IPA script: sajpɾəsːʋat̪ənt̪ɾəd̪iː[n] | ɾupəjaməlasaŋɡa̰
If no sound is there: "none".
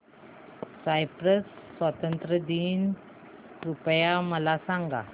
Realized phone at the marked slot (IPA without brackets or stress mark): n